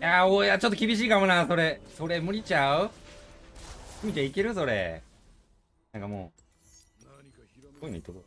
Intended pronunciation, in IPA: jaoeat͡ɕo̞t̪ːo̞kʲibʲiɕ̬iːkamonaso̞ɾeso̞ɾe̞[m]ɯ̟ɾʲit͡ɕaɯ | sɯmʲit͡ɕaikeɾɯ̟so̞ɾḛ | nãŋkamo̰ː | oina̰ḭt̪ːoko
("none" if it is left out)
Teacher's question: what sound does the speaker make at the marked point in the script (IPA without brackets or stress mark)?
m